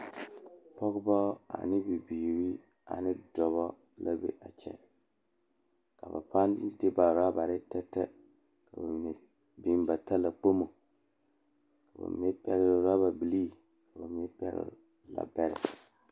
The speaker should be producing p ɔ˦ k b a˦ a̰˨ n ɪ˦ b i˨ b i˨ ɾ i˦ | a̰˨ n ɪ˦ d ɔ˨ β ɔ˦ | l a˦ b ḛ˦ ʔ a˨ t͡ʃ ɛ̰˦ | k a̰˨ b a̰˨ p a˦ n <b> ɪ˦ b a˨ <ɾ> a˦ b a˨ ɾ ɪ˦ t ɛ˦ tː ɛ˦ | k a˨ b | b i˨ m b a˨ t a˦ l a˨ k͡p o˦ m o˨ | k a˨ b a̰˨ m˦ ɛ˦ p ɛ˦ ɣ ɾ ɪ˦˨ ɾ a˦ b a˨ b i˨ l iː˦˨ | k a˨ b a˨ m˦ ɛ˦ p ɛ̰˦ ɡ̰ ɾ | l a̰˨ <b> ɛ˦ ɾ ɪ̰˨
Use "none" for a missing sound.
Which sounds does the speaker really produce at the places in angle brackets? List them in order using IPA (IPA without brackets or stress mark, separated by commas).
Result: d, ɾ, b